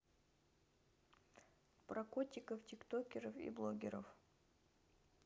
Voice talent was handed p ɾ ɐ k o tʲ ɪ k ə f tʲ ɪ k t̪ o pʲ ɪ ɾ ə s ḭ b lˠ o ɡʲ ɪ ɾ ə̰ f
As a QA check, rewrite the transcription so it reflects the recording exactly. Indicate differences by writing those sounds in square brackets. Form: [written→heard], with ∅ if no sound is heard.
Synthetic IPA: p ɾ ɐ k o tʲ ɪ k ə f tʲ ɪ k t̪ o [pʲ→kʲ] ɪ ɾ ə [s→f] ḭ b lˠ o ɡʲ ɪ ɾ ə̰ f